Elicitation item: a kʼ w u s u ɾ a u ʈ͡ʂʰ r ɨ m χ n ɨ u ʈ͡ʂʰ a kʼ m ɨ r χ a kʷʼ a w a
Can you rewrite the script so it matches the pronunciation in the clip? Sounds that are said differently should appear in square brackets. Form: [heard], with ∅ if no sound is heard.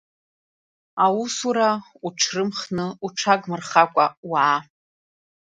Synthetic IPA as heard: a [∅] w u s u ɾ a u ʈ͡ʂʰ r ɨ m χ n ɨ u ʈ͡ʂʰ a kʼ m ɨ r χ a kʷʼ a w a